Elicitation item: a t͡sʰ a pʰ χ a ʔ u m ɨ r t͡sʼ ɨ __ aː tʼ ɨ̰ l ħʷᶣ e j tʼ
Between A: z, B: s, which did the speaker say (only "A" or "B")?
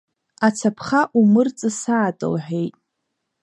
B